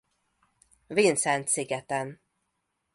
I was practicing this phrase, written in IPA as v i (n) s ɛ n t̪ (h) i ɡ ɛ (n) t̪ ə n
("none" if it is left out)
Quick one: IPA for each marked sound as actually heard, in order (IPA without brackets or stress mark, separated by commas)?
n, s, none